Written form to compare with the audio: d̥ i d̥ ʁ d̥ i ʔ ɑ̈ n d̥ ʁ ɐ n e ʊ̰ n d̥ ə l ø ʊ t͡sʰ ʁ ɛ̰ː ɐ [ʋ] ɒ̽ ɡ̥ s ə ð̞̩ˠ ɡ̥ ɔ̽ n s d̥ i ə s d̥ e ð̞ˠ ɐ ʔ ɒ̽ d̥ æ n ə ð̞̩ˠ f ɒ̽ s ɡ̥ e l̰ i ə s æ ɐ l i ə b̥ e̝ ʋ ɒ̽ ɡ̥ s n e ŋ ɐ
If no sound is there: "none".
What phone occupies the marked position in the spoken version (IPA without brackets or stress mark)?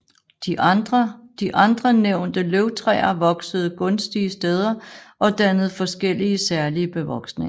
ʋ